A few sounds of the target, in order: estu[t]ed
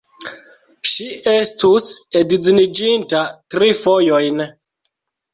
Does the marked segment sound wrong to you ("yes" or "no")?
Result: yes